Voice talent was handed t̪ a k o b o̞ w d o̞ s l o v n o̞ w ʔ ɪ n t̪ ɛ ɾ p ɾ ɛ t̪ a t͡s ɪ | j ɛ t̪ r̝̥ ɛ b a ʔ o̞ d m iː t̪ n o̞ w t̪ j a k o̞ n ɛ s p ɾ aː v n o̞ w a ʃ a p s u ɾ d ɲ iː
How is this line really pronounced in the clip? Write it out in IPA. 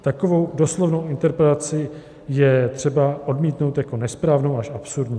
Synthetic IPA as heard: t̪ a k o v o̞ w d o̞ s l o v n o̞ w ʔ ɪ n t̪ ɛ ɾ p ɾ ɛ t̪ a t͡s ɪ | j ɛ t̪ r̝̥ ɛ b a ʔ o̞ d m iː t̪ n o̞ w t̪ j a k o̞ n ɛ s p ɾ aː v n o̞ w a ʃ a p s u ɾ d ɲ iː